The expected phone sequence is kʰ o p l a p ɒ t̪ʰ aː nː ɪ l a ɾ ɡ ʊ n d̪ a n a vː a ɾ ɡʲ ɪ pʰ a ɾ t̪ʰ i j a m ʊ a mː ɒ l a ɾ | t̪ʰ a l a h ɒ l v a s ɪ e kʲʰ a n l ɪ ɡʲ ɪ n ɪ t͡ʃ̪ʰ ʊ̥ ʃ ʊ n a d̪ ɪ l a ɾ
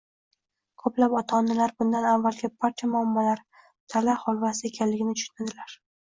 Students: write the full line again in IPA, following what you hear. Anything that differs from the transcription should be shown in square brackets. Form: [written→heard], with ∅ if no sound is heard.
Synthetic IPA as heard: kʰ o p l a p ɒ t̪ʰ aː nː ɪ l a ɾ [ɡ→b] ʊ n d̪ a n a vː a [ɾ→l] ɡʲ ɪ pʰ a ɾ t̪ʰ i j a m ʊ a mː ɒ l a ɾ | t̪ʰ a l a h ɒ l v a s ɪ e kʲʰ a n l ɪ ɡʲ ɪ n ɪ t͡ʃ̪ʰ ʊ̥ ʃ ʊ n a d̪ ɪ l a ɾ